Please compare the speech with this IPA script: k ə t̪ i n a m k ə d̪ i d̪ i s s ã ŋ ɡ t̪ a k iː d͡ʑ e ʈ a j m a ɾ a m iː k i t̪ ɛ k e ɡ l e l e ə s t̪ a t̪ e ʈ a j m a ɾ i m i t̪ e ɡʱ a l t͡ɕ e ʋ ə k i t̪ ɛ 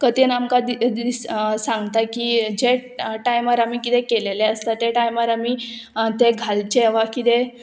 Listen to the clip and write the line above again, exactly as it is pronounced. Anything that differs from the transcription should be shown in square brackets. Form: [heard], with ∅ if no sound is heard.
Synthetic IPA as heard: k ə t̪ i n a m k [a] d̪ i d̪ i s s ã ŋ ɡ t̪ a k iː d͡ʑ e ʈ a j m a ɾ a m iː k i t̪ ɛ k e [∅] l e l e ə s t̪ a t̪ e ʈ a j m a ɾ [a] m i t̪ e ɡʱ a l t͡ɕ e ʋ [a] k i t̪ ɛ